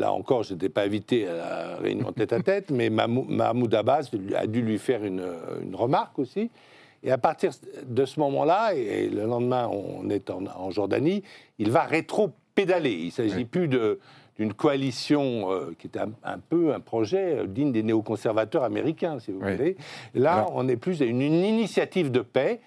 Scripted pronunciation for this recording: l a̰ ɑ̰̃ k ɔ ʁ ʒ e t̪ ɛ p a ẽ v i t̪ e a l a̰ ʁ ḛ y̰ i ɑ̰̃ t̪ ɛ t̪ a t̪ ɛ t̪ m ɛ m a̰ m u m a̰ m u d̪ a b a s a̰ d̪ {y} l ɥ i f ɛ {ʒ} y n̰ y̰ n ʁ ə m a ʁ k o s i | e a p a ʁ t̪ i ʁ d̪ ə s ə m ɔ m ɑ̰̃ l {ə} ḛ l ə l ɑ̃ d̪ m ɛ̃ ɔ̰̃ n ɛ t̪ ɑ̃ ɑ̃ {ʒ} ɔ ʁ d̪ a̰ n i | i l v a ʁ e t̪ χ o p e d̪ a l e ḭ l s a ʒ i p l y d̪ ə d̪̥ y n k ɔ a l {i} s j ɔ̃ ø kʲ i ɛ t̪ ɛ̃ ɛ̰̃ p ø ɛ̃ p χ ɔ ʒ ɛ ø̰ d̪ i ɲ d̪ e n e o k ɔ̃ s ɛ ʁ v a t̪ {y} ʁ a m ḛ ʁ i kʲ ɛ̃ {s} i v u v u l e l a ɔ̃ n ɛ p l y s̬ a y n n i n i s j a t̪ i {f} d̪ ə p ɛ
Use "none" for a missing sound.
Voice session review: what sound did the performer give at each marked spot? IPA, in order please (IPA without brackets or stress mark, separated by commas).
y, ʁ, a, ʒ, i, œ, s, v